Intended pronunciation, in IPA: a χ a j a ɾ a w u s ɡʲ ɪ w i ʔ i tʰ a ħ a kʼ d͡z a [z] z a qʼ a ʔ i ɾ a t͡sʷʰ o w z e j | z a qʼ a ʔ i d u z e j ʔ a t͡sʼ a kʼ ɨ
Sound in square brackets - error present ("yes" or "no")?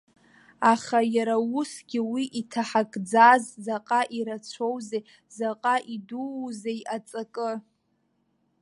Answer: no